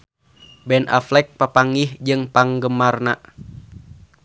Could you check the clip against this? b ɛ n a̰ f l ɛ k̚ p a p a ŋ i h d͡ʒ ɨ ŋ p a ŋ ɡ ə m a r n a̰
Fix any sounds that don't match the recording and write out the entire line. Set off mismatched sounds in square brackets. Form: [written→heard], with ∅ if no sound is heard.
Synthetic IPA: b ɛ n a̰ f l ɛ k̚ p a p a ŋ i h d͡ʒ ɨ ŋ p a ŋ ɡ ə m a r n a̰

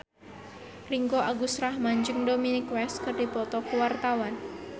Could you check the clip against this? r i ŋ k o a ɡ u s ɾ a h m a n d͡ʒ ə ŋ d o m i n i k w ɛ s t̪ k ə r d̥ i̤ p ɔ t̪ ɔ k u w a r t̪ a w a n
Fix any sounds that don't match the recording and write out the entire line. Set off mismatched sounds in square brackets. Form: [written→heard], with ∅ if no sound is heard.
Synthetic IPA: r i ŋ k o a ɡ u s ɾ a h m a [n→ɲ] d͡ʒ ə ŋ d o m i n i k w ɛ s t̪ k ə r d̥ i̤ p ɔ t̪ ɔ k u w a r t̪ a w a n

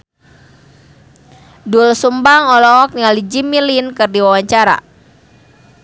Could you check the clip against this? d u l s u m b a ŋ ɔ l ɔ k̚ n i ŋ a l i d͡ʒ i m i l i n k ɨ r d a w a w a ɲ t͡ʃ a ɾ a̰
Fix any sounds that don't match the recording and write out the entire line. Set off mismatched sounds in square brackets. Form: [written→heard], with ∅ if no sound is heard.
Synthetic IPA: d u l s u m b a ŋ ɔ l ɔ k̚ n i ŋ a l i d͡ʒ i m i l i n k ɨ r d [a→i] w a w a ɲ t͡ʃ a ɾ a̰

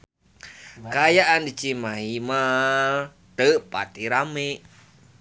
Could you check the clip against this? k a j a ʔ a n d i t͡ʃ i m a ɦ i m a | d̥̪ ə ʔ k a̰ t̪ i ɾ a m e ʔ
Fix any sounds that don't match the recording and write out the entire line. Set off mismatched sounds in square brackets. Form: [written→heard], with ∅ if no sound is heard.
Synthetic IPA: k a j a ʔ a n d i t͡ʃ i m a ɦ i m a | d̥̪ ə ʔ [k→p] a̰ t̪ i ɾ a m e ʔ

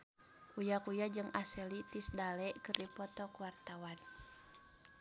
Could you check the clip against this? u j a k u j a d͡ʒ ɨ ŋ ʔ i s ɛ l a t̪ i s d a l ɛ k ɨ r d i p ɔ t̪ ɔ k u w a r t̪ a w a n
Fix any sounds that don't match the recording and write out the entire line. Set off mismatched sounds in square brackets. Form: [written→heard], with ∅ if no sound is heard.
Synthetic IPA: u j a k u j a d͡ʒ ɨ ŋ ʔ [i→a] s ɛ l [a→i] t̪ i s d a l ɛ k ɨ r d i p ɔ t̪ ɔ k u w a r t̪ a w a n

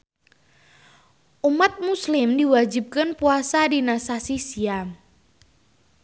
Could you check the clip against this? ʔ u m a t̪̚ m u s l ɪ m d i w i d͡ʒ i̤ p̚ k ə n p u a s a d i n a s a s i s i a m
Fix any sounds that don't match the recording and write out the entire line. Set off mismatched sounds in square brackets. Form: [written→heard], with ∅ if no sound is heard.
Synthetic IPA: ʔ u m a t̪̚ m u s l ɪ m d i w [i→a] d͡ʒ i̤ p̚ k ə n p u a s a d i n a s a s i s i a m

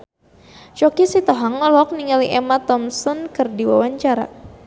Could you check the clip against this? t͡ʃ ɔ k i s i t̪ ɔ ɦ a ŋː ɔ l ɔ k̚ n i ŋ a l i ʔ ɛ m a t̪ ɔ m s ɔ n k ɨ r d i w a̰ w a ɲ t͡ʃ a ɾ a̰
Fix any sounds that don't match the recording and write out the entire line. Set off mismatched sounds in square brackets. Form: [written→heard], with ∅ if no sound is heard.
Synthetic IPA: t͡ʃ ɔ k i s i t̪ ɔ ɦ a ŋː ɔ l ɔ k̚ n i ŋ a l i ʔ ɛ m a t̪ ɔ m s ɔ n k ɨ r d i w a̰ w a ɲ t͡ʃ a ɾ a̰

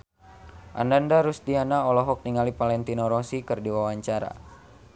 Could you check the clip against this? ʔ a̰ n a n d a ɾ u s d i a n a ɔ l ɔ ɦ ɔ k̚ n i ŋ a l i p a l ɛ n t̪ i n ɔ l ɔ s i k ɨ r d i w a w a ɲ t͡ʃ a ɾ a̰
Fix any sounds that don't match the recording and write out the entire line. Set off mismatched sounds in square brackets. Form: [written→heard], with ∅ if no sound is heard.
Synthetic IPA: ʔ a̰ n a n d a ɾ u s d i a n a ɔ l ɔ ɦ ɔ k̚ n i ŋ a l i p a l ɛ n t̪ i n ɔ [l→ɾ] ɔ s i k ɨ r d i w a w a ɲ t͡ʃ a ɾ a̰

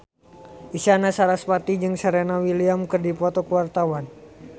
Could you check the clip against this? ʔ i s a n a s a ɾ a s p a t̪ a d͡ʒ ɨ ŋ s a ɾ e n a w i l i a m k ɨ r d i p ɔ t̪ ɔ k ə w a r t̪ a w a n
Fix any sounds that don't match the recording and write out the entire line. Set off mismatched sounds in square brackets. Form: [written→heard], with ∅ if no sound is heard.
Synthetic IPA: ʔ i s a n a s a ɾ a s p a t̪ [a→i] d͡ʒ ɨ ŋ s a ɾ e n a w i l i a m k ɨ r d i p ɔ t̪ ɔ k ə w a r t̪ a w a n

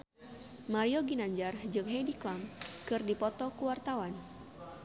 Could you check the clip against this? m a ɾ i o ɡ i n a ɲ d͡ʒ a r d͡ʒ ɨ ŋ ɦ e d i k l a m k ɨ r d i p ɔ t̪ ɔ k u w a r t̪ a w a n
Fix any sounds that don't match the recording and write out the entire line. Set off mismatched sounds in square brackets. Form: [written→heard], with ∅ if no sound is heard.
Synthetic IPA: m a ɾ i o ɡ i n a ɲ d͡ʒ a r d͡ʒ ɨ ŋ ɦ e d i k l a m k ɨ r d i p ɔ t̪ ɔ k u w a r t̪ a w a n

